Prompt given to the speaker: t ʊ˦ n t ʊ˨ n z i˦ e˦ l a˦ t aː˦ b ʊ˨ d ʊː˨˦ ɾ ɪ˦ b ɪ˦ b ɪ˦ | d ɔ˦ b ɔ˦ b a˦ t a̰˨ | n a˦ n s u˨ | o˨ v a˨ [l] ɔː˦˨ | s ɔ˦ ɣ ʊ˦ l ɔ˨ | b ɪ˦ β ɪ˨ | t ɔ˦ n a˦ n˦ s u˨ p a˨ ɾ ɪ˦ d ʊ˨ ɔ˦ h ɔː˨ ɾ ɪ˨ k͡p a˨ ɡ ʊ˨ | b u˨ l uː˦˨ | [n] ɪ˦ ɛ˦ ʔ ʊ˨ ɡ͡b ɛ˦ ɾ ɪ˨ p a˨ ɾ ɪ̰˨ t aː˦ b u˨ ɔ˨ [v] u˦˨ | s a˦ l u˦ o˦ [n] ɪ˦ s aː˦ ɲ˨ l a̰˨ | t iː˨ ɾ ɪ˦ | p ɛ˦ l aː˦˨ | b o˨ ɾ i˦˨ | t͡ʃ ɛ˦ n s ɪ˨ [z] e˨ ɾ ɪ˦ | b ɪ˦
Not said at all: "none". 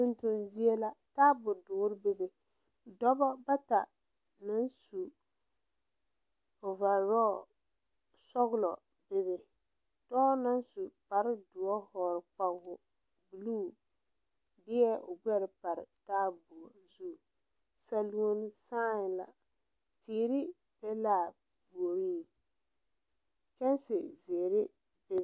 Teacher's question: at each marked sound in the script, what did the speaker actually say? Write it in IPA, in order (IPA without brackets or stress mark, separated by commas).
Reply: ɾ, d, z, n, z